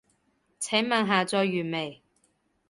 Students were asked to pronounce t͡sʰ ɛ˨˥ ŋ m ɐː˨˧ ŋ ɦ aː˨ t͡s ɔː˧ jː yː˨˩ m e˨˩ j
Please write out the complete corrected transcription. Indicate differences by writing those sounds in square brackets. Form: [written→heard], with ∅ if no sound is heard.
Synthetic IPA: t͡sʰ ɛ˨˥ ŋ m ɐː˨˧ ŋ ɦ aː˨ t͡s ɔː˧ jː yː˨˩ m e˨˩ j